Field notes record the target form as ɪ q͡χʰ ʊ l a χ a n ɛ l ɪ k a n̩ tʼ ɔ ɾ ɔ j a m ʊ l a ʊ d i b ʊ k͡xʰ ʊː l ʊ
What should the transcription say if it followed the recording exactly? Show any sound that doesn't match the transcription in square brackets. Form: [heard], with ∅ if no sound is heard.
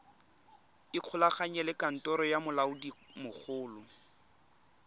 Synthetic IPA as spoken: ɪ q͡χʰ ʊ l a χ a [ɲ] ɛ l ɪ k a n̩ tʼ ɔ ɾ ɔ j a m ʊ l a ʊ d i [m] ʊ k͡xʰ ʊː l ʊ